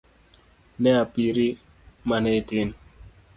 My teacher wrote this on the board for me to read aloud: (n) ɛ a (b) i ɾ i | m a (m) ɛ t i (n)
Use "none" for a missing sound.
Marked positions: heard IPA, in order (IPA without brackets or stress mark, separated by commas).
n, p, n, n